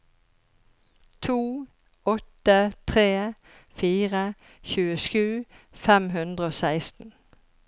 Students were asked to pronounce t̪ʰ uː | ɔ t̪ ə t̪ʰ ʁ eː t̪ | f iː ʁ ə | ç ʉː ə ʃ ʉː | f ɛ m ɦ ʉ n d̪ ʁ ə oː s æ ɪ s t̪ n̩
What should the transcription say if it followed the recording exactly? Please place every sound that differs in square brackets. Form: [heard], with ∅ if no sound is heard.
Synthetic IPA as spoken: t̪ʰ uː | ɔ t̪ ə t̪ʰ ʁ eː [∅] | f iː ʁ ə | ç ʉː ə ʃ ʉː | f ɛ m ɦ ʉ n d̪ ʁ ə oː s æ ɪ s t̪ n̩